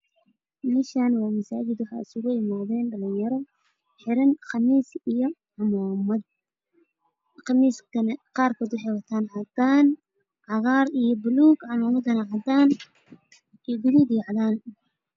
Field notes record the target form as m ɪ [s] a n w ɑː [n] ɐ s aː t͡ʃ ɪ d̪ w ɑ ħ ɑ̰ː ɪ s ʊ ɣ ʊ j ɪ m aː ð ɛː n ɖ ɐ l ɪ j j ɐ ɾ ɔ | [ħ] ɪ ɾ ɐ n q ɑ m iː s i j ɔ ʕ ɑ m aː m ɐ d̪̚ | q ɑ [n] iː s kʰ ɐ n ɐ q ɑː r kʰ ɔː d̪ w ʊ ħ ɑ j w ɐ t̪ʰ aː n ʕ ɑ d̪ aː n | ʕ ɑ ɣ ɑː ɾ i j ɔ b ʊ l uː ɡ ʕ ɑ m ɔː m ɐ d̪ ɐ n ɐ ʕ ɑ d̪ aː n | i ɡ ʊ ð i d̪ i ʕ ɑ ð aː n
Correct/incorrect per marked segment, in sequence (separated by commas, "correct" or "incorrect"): incorrect, incorrect, correct, incorrect